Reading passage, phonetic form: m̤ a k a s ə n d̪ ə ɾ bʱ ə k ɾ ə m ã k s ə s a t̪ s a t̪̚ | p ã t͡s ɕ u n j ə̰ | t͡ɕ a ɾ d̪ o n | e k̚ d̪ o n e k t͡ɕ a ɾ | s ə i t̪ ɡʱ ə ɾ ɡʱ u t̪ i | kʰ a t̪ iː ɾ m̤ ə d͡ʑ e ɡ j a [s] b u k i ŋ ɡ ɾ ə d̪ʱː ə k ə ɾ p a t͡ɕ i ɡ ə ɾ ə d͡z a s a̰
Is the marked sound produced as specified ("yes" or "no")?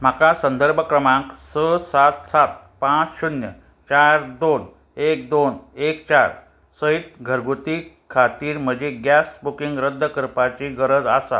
yes